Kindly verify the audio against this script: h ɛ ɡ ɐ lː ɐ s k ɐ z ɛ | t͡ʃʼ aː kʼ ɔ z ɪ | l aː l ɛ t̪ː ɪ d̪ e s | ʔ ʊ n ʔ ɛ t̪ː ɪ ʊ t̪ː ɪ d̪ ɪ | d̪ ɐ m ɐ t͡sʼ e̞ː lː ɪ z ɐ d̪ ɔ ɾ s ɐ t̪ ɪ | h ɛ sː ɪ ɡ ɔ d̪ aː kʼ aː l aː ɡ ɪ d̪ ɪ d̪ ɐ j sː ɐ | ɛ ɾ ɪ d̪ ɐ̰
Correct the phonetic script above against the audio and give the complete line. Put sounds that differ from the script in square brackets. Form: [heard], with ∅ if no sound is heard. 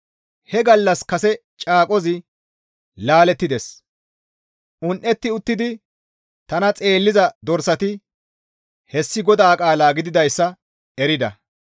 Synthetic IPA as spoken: h ɛ ɡ ɐ lː ɐ s k ɐ [s] ɛ | t͡ʃʼ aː kʼ ɔ z ɪ | l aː l ɛ t̪ː ɪ d̪ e s | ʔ ʊ n ʔ ɛ t̪ː ɪ ʊ t̪ː ɪ d̪ ɪ | [t̪] ɐ [n] ɐ t͡sʼ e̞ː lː ɪ z ɐ d̪ ɔ ɾ s ɐ t̪ ɪ | h ɛ sː ɪ ɡ ɔ d̪ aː kʼ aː l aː ɡ ɪ d̪ ɪ d̪ ɐ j sː ɐ | ɛ ɾ ɪ d̪ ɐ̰